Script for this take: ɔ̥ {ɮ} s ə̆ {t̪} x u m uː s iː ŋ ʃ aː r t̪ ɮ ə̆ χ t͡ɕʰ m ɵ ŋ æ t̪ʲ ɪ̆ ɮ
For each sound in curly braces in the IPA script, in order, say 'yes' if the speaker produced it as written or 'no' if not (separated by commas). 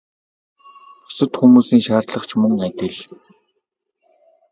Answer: no, yes